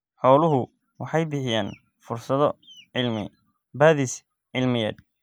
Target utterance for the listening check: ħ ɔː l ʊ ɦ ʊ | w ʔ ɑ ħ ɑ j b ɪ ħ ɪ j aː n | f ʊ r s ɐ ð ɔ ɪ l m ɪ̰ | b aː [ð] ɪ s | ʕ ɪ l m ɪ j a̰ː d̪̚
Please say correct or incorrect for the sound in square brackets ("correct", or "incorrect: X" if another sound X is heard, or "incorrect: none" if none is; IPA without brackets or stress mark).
correct